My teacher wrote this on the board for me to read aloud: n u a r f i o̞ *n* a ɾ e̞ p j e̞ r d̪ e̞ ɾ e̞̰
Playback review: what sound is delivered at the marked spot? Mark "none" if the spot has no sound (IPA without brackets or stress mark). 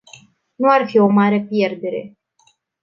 m